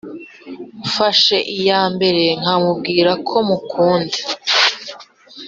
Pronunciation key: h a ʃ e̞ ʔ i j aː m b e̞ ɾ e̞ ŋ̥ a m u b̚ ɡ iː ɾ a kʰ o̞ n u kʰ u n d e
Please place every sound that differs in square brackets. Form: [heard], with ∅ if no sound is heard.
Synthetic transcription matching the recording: [f] a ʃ e̞ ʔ i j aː m b e̞ ɾ e̞ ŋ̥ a m u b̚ ɡ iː ɾ a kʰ o̞ [m] u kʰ [uː] n d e